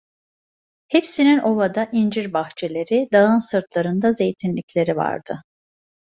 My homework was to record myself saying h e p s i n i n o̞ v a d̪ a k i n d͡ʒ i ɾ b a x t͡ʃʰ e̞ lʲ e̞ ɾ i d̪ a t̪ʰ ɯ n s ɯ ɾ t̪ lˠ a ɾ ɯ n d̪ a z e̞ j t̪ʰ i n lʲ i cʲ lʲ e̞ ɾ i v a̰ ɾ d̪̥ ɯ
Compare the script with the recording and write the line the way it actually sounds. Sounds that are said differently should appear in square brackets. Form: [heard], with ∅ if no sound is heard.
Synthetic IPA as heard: h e p s i n i n o̞ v a d̪ a [ʔ] i n d͡ʒ i ɾ b a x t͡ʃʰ e̞ lʲ e̞ ɾ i d̪ a [∅] ɯ n s ɯ ɾ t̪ lˠ a ɾ ɯ n d̪ a z e̞ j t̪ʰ i n lʲ i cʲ lʲ e̞ ɾ i v a̰ ɾ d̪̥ ɯ